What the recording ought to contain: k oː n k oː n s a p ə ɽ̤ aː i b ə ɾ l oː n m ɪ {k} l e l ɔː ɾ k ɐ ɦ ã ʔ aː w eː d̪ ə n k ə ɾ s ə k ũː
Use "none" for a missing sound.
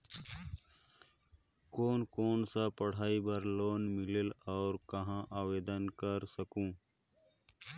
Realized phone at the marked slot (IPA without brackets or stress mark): none